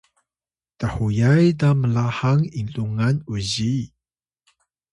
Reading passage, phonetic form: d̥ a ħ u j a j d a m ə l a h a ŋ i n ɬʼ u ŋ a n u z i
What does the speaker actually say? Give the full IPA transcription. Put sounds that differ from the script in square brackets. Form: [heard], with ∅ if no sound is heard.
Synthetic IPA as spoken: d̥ a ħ u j a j d a m ə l a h a ŋ i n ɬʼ u ŋ a n u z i